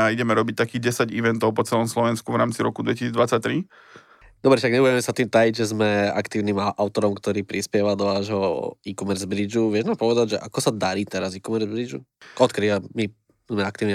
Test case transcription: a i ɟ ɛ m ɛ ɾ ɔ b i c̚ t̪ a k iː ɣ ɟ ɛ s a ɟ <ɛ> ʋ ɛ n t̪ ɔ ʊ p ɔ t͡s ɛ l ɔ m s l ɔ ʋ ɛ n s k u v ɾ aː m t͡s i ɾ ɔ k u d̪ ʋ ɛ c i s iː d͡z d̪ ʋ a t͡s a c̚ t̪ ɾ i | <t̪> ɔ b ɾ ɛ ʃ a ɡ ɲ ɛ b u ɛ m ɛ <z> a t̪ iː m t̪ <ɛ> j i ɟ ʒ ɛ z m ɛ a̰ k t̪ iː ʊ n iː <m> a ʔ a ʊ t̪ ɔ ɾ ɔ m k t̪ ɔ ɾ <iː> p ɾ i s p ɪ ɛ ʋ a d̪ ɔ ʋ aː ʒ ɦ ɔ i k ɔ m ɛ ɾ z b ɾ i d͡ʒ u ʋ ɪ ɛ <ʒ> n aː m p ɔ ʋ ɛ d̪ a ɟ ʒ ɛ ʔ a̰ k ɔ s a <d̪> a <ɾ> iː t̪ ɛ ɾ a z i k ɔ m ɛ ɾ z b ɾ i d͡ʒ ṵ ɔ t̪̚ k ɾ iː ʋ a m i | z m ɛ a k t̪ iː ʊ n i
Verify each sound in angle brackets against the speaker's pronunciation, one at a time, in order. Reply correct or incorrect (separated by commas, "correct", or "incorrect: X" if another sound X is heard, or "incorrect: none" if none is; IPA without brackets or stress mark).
incorrect: i, incorrect: d̪, incorrect: s, incorrect: a, correct, correct, correct, correct, correct